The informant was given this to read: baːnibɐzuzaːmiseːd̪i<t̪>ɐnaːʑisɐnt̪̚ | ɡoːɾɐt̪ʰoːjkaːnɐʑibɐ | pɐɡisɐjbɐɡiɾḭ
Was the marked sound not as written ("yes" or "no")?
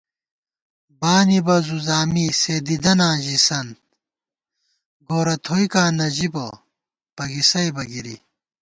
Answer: yes